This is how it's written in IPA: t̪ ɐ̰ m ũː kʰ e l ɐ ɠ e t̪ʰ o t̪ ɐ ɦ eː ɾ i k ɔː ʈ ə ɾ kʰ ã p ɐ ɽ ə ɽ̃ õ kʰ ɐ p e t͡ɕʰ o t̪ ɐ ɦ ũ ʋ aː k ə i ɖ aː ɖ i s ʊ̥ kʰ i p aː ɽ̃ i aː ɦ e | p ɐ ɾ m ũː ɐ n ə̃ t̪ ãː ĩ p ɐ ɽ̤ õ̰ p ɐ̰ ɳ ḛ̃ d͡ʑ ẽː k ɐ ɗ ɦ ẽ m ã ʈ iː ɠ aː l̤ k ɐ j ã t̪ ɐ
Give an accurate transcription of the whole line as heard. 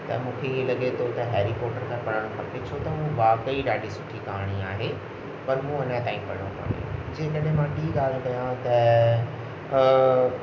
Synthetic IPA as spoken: t̪ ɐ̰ m ũː kʰ e l ɐ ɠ e t̪ʰ o t̪ ɐ ɦ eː ɾ i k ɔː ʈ ə ɾ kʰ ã p ɐ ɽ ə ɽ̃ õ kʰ ɐ p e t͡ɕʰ o t̪ ɐ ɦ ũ ʋ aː k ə i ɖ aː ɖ i s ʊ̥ ʈʰ i k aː ɽ̃ i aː ɦ e | p ɐ ɾ m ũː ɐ n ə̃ t̪ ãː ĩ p ɐ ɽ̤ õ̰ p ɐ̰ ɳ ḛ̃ d͡ʑ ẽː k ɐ ɗ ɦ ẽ m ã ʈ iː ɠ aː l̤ k ɐ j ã t̪ ɐ